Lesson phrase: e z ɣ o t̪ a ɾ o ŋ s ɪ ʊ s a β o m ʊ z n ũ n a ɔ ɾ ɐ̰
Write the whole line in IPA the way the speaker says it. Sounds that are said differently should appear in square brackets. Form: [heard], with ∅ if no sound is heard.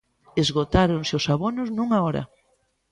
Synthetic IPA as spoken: e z ɣ o t̪ a ɾ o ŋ s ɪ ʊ s a β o [n] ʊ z n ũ [ŋ] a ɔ ɾ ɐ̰